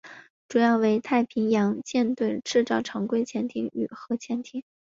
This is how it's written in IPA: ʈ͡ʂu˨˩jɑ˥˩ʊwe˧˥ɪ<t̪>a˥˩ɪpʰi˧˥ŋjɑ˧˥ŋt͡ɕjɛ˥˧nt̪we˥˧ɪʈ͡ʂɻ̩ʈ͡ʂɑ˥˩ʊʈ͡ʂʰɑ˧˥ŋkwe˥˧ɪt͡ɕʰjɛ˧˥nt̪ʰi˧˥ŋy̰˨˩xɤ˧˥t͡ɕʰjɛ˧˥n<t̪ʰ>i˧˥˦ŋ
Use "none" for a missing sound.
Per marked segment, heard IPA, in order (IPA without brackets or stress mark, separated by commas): t̪ʰ, t̪ʰ